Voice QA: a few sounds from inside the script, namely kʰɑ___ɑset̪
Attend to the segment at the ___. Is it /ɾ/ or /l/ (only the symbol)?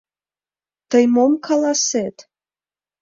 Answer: l